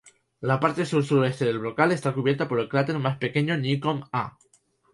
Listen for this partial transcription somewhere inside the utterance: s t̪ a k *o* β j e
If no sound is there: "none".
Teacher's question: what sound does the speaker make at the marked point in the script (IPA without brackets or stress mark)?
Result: u